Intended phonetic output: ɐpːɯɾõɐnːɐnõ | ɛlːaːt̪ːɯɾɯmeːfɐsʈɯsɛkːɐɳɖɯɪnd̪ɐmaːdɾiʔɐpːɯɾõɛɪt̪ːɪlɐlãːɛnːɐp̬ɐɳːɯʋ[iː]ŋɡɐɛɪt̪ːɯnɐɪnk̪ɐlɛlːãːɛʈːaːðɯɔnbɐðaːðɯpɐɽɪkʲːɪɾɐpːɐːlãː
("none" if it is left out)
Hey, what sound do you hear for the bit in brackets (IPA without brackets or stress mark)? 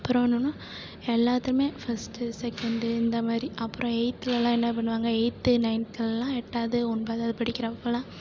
aː